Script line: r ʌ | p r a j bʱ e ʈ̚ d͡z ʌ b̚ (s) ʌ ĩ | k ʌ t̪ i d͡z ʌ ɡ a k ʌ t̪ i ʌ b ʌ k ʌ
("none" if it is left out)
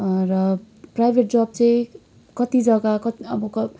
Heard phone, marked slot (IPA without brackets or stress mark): t͡s